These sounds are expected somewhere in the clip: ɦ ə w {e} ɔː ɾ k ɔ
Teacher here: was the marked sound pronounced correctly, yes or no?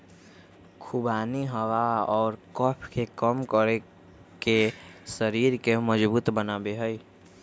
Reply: no